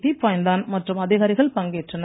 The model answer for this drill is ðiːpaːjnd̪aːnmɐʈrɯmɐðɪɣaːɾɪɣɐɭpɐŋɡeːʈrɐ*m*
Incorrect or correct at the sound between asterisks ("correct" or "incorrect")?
incorrect